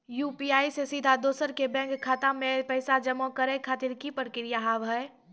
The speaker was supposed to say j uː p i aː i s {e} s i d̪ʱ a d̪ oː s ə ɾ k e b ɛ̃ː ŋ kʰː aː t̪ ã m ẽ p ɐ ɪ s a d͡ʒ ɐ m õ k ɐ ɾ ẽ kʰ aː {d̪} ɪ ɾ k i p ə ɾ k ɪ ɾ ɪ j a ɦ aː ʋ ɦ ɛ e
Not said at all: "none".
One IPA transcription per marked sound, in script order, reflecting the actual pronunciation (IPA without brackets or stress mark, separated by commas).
e, t̪